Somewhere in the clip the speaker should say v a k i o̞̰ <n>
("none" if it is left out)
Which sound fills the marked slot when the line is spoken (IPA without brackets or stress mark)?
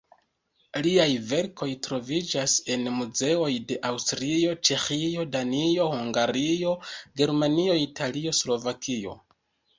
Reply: none